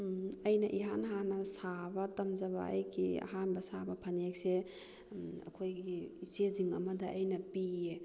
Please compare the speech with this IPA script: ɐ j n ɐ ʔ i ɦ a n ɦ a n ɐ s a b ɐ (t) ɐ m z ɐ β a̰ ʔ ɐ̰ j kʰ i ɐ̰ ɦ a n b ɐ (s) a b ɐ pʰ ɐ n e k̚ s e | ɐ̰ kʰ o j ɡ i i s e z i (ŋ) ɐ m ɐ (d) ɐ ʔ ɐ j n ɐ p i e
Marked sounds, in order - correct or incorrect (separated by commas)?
correct, correct, correct, correct